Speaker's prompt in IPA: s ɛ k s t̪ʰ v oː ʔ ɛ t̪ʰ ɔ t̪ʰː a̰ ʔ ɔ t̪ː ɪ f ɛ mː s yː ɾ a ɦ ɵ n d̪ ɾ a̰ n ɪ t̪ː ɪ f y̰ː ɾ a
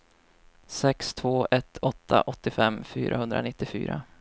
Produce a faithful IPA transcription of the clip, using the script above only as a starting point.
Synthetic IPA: s ɛ k s t̪ʰ v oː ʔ ɛ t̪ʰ ɔ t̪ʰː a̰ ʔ ɔ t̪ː ɪ f ɛ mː f yː ɾ a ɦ ɵ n d̪ ɾ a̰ n ɪ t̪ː ɪ f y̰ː ɾ a